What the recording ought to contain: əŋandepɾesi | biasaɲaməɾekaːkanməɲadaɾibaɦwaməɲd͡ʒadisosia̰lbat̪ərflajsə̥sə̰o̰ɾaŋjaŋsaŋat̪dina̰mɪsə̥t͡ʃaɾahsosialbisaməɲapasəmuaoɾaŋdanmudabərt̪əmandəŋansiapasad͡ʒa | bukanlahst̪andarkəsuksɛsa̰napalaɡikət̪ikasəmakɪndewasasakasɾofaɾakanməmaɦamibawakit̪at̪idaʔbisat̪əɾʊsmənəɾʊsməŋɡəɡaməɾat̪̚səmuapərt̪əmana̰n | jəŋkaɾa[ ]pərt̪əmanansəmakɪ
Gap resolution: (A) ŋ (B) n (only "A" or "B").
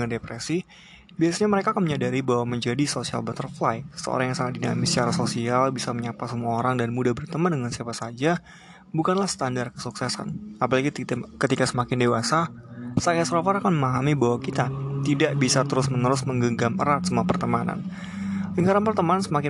B